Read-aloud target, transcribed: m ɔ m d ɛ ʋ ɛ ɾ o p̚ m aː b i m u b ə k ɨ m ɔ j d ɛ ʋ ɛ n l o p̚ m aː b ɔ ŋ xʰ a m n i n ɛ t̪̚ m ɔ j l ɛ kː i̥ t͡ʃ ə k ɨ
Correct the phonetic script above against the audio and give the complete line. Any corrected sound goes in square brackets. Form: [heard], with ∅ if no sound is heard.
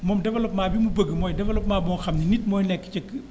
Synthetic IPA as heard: m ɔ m d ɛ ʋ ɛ [l] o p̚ m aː b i m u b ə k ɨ m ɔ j d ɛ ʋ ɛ [∅] l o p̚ m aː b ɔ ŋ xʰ a m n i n [i] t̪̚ m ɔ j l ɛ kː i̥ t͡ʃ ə k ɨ